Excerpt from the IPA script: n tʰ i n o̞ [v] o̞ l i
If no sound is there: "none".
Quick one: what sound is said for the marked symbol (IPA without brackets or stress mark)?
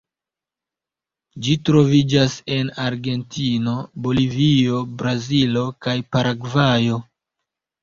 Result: b